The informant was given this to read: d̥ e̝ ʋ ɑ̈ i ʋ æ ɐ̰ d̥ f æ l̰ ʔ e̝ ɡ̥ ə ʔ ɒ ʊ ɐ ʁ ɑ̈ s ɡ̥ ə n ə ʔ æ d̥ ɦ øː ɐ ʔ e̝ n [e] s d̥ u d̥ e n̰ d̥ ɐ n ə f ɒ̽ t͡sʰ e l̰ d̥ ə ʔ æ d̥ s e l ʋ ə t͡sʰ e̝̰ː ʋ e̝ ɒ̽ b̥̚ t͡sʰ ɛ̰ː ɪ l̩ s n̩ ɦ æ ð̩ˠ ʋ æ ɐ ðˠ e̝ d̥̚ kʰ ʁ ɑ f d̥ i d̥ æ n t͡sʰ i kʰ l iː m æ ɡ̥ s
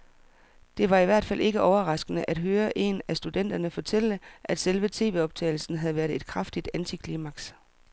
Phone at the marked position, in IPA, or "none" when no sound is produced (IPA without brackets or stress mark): æ